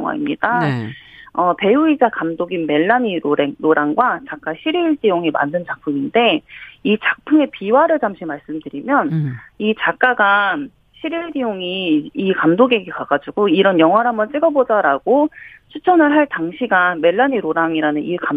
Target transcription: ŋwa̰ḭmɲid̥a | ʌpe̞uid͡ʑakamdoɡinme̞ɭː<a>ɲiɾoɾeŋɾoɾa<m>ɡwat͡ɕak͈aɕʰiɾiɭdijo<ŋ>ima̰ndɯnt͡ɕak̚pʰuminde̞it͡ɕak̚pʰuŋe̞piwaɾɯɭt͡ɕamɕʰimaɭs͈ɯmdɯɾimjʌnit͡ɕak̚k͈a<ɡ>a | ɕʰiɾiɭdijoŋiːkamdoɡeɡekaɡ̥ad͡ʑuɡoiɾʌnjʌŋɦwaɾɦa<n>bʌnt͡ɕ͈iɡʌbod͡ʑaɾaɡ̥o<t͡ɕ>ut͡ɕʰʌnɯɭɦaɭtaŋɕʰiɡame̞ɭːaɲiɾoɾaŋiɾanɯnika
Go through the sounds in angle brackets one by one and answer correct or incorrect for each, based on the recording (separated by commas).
correct, incorrect, correct, correct, incorrect, incorrect